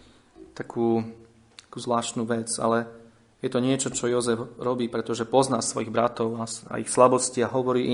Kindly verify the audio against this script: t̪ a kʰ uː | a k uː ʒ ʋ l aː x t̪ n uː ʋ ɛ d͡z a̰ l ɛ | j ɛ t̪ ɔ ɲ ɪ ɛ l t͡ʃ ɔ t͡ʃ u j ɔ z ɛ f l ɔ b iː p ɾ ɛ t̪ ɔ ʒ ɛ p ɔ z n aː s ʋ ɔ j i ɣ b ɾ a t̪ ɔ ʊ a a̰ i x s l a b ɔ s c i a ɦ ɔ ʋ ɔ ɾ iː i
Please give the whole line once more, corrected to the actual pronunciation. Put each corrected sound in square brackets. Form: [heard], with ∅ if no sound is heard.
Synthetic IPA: t̪ a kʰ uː | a k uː [z] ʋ l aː [ʃ] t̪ n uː ʋ ɛ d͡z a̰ l ɛ | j ɛ t̪ ɔ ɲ ɪ ɛ [∅] t͡ʃ ɔ t͡ʃ [ɔ] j ɔ z ɛ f [ɾ] ɔ b iː p ɾ ɛ t̪ ɔ ʒ ɛ p ɔ z n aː s ʋ ɔ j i ɣ b ɾ a t̪ ɔ ʊ a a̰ i x s l a b ɔ s c i a ɦ ɔ ʋ ɔ ɾ iː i